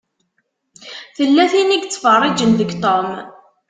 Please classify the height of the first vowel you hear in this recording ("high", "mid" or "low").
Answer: mid